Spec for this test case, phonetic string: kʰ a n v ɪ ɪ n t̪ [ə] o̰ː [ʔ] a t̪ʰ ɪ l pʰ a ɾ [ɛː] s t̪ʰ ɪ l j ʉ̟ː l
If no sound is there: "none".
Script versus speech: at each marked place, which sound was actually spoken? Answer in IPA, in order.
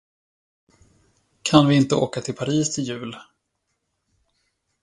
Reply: ə, k, iː

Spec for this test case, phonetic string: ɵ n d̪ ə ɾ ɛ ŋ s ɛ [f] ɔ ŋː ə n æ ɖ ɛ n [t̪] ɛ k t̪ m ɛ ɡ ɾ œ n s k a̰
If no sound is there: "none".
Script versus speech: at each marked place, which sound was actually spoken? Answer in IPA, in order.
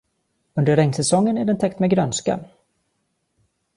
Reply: s, t̪ʰ

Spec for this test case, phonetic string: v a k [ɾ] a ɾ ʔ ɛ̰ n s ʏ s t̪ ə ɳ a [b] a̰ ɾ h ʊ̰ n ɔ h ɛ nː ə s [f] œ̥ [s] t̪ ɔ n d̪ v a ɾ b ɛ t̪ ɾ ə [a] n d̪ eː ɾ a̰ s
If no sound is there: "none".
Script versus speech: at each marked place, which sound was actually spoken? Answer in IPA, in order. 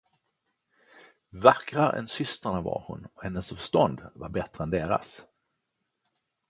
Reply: ɾ, v, f, ʂ, ɛ

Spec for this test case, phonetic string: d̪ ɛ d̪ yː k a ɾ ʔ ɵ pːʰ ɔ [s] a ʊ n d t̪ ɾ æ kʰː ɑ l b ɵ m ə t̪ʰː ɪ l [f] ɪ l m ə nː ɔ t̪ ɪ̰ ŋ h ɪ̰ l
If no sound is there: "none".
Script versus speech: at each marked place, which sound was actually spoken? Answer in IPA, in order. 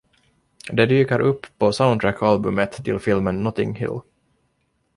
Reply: s, f

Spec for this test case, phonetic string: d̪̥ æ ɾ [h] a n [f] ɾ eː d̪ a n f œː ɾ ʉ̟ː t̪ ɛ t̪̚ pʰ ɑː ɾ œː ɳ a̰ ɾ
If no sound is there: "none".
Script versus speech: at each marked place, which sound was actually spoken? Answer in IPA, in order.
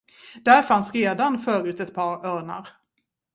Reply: f, s

